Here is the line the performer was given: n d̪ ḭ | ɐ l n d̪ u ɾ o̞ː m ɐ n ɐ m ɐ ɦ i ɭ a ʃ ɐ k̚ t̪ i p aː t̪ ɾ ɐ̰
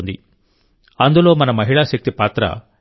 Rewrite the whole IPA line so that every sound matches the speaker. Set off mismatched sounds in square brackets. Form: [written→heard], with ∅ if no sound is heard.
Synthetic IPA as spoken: n d̪ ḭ | ɐ [l→∅] n d̪ u [ɾ→l] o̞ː m ɐ n ɐ m ɐ ɦ i ɭ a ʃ ɐ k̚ t̪ i p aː t̪ ɾ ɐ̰

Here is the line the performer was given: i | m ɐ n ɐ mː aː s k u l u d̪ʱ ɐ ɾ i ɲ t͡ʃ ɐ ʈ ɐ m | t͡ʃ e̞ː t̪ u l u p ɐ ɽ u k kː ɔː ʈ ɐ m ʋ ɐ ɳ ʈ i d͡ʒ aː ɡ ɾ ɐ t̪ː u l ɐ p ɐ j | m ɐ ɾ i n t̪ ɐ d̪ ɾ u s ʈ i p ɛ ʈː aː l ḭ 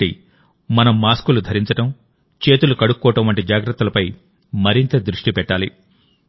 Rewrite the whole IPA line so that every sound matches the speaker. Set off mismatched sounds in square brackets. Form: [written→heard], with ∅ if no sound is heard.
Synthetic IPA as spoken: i | m ɐ n ɐ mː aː s k u l u d̪ʱ ɐ ɾ i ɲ t͡ʃ ɐ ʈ ɐ m | t͡ʃ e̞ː t̪ u l u [p→k] ɐ ɽ u k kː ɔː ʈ ɐ m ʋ ɐ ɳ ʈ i d͡ʒ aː ɡ ɾ ɐ t̪ː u l ɐ p ɐ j | m ɐ ɾ i n t̪ ɐ d̪ ɾ u [s→ʂ] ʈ i p ɛ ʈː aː l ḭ

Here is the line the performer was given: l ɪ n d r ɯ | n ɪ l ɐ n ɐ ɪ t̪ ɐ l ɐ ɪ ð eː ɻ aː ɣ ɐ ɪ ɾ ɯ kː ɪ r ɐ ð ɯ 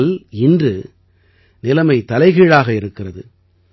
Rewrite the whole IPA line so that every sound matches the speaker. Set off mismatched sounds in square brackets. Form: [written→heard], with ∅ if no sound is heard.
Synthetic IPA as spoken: l ɪ n d r ɯ | n ɪ l ɐ [n→m] ɐ ɪ t̪ ɐ l ɐ ɪ [ð→ɣ] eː ɻ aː ɣ ɐ ɪ ɾ ɯ kː ɪ r ɐ ð ɯ

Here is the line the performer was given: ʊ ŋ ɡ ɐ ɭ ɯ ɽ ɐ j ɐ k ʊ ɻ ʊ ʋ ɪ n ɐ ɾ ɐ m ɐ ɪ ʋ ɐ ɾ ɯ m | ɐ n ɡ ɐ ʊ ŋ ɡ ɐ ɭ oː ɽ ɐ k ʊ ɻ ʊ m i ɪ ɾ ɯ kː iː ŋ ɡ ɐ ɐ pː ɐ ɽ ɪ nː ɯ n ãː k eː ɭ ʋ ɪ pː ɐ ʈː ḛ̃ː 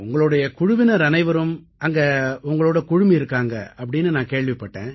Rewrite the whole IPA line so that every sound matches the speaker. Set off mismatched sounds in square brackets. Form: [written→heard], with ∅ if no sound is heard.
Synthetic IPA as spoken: ʊ ŋ ɡ ɐ ɭ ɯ ɽ ɐ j ɐ k ʊ ɻ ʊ ʋ ɪ n ɐ ɾ ɐ [m→n] ɐ ɪ ʋ ɐ ɾ ɯ m | ɐ [n→ŋ] ɡ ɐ ʊ ŋ ɡ ɐ ɭ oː ɽ ɐ k ʊ ɻ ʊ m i ɪ ɾ ɯ kː [iː→aː] ŋ ɡ ɐ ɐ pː ɐ ɽ ɪ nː ɯ n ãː k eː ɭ ʋ ɪ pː ɐ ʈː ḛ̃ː

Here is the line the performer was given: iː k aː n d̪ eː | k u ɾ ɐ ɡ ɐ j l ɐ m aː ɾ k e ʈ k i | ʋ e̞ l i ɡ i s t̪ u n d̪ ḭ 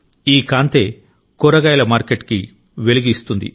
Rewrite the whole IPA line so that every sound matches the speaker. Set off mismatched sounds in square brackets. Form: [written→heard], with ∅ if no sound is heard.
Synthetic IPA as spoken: iː k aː n [d̪→t̪] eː | k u ɾ ɐ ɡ ɐ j l ɐ m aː ɾ k e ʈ k i | ʋ e̞ l i ɡ i s t̪ u n d̪ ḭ

